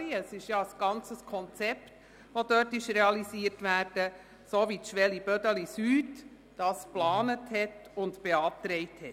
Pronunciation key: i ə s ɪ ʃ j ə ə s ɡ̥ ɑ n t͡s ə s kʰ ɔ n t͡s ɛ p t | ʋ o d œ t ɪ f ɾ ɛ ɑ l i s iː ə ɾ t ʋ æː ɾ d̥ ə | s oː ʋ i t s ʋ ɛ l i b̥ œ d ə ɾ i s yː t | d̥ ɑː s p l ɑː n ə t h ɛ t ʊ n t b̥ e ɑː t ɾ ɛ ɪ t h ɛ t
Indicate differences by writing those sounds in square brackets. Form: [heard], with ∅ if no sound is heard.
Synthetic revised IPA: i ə s ɪ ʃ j [ɑ] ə s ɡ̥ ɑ n t͡s ə s kʰ ɔ n t͡s ɛ p t | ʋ o d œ t ɪ [ʃ] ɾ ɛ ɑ l i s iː ə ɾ t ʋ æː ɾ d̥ ə | s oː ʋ i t [ʃ] ʋ ɛ l i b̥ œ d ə [l] i s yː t | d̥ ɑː s p l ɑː n ə t h ɛ t ʊ n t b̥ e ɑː t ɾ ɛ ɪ t h ɛ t